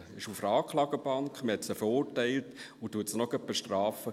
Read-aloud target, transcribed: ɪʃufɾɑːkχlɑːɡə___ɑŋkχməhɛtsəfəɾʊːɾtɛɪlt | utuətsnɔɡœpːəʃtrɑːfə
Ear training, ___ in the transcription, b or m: b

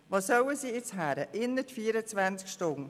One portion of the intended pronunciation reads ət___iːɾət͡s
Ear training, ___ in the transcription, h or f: f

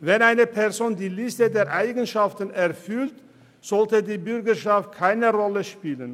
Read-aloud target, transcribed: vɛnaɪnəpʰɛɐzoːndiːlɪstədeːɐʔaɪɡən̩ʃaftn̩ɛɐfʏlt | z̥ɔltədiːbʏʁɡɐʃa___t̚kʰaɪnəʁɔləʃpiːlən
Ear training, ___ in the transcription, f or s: f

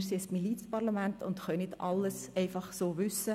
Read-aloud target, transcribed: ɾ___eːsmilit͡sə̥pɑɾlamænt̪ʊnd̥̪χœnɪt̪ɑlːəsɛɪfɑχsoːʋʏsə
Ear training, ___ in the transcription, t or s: s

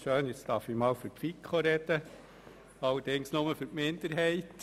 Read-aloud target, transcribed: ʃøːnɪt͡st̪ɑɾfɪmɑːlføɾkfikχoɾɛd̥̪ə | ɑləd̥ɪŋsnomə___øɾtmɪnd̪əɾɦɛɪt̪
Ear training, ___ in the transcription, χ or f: f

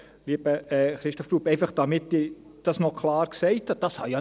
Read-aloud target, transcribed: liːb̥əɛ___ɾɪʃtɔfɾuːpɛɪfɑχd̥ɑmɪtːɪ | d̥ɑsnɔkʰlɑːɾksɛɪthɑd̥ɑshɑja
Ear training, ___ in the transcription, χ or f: χ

